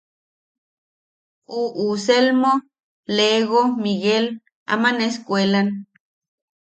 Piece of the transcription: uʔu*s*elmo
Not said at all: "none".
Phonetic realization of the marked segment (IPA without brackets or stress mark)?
s